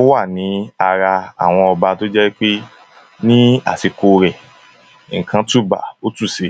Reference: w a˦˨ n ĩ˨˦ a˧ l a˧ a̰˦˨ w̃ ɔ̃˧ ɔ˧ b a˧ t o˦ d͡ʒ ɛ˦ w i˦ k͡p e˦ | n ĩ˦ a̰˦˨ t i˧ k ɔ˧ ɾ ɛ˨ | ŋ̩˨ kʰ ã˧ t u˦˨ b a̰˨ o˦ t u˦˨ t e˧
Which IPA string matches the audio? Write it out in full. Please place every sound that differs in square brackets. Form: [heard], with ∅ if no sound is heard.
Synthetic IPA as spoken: w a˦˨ n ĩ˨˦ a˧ [ɾ] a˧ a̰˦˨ w̃ ɔ̃˧ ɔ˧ b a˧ t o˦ d͡ʒ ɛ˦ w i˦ k͡p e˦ | n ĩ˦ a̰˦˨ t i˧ k [o˧] ɾ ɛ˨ | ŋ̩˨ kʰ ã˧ t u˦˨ b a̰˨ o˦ t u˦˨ [s] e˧